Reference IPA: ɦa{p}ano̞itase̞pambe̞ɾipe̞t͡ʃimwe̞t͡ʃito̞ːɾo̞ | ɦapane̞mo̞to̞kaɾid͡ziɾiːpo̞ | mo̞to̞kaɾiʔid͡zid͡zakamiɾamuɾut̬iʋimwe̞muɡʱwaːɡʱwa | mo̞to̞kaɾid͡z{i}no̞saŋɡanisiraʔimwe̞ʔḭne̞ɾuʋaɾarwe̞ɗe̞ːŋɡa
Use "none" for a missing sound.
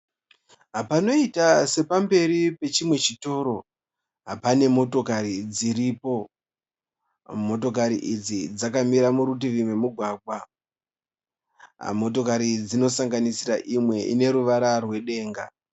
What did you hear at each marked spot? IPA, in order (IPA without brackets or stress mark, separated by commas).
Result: p, i